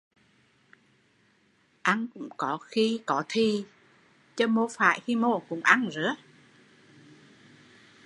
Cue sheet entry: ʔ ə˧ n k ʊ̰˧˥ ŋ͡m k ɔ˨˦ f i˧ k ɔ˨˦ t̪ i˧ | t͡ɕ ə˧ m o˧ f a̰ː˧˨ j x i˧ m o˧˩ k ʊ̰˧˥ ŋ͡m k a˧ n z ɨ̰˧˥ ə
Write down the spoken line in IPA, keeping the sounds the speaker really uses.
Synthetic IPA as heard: ʔ a˧ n k ʊ̰˧˥ ŋ͡m k ɔ˨˦ x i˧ k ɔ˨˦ t̪ʰ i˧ | t͡ɕ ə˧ m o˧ f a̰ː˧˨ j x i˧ m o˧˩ k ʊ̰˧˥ ŋ͡m ʔ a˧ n z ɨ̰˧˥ ə